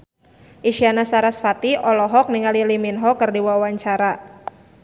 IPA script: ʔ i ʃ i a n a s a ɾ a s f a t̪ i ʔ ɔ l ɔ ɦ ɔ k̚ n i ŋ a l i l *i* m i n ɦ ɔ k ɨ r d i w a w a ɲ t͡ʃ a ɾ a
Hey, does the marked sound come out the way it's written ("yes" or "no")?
yes